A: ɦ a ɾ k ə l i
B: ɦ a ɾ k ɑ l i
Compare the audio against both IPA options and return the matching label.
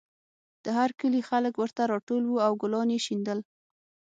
A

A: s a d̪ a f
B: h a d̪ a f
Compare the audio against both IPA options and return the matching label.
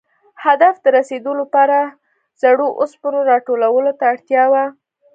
B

